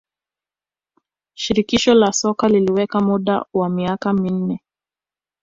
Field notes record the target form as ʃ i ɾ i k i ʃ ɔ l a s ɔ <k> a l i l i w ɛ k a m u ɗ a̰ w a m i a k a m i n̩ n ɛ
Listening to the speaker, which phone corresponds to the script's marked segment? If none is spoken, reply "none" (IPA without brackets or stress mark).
k